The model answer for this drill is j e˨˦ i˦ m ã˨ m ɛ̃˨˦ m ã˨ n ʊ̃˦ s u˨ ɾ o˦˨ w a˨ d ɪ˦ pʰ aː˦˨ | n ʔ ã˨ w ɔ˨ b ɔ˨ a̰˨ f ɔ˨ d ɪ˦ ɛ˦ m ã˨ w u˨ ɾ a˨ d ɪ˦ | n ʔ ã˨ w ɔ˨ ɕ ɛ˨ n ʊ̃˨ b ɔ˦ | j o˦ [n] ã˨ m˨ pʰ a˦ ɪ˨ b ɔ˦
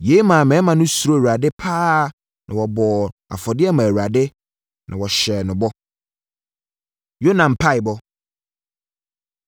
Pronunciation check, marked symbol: correct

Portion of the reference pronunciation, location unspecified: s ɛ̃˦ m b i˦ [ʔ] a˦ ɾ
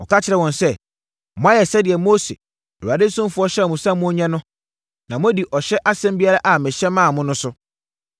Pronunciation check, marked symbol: incorrect: none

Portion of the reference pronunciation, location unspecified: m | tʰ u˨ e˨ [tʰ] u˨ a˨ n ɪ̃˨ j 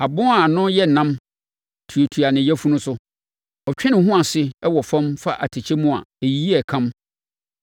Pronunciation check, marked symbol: correct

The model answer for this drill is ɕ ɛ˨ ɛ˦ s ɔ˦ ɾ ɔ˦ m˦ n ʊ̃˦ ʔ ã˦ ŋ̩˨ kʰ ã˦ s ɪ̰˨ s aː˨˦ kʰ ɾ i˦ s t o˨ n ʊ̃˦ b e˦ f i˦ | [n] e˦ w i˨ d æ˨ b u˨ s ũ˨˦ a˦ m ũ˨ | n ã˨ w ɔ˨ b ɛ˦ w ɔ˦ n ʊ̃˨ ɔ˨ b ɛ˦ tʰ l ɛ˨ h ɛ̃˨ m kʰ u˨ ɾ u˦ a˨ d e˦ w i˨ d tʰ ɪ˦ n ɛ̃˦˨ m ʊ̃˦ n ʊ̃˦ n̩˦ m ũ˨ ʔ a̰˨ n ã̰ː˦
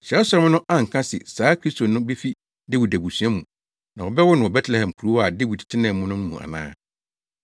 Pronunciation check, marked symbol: incorrect: d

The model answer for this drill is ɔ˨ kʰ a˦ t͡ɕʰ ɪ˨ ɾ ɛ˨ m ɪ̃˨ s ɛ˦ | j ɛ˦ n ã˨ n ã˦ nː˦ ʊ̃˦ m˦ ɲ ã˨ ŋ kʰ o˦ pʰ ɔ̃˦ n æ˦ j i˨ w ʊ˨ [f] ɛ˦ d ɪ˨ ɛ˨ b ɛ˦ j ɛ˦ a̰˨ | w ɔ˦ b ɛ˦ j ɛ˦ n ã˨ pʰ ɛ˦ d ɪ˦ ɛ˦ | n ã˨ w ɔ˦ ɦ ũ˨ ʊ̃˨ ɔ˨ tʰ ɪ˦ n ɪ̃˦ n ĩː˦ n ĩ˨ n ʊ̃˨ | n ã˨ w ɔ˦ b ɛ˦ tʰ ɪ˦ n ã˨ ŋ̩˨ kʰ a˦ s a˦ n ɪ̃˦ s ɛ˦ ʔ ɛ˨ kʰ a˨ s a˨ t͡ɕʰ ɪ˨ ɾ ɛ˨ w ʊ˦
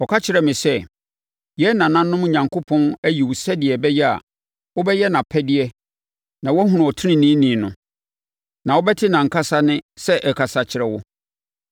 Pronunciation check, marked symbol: incorrect: s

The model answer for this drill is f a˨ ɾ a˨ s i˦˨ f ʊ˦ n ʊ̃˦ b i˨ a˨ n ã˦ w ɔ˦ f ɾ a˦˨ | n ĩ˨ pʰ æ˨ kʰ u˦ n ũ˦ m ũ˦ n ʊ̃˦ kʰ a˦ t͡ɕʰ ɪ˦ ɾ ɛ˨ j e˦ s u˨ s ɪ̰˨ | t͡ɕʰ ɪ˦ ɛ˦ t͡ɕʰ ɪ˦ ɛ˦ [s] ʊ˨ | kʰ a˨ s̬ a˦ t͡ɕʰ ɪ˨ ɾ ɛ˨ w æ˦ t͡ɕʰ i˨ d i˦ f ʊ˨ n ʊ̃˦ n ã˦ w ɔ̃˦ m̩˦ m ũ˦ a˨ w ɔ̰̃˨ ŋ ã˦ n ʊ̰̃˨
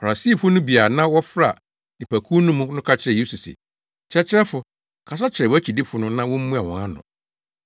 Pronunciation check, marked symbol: incorrect: f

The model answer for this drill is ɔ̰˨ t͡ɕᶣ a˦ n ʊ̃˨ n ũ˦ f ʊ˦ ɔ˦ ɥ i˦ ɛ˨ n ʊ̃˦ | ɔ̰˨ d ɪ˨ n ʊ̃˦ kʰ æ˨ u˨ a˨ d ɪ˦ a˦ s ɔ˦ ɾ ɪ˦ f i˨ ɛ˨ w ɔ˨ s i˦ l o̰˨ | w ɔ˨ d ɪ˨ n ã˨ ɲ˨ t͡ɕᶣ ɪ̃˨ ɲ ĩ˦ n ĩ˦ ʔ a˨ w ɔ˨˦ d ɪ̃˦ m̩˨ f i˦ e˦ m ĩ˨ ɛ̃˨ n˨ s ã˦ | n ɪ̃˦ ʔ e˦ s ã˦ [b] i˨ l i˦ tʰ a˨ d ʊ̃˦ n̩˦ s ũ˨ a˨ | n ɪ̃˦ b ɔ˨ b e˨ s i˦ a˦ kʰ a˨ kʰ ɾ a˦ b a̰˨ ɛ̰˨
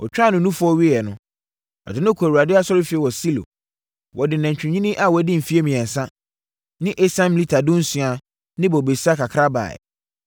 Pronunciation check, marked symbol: incorrect: m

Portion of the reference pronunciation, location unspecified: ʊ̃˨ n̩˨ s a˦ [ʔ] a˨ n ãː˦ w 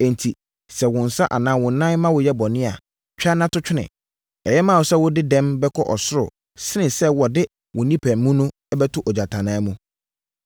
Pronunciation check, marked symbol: correct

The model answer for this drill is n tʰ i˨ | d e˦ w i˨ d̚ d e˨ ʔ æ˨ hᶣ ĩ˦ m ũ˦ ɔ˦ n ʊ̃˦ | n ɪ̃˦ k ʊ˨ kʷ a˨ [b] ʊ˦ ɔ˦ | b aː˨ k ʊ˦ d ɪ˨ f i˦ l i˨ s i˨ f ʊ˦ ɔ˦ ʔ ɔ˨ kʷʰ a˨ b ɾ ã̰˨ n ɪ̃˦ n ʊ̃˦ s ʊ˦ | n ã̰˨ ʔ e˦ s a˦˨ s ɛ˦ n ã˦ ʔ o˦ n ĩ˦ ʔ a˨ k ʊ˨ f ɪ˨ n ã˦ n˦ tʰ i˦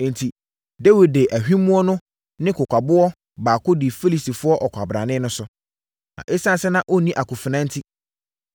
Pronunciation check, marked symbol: correct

